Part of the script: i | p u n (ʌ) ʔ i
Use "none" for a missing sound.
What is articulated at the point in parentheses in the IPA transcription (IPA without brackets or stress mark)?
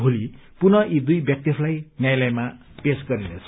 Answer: ʌ